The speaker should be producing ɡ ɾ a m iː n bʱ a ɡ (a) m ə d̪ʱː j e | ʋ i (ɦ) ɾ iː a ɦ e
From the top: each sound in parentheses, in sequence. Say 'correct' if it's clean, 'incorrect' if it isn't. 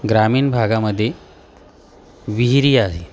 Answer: correct, correct

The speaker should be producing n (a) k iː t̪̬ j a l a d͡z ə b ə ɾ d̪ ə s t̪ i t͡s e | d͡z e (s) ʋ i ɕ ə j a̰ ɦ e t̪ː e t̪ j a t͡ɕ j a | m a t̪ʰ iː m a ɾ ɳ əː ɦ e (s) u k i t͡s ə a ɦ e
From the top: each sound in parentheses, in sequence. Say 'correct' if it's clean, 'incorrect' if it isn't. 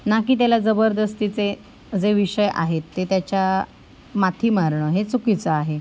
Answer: correct, incorrect: none, incorrect: t͡s

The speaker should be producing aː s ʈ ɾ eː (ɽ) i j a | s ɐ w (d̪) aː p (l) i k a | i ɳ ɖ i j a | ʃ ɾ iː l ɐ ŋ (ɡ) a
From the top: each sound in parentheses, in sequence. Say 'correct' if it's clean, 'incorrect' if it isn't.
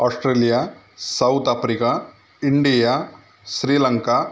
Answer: incorrect: l, incorrect: t̪, incorrect: ɾ, incorrect: k

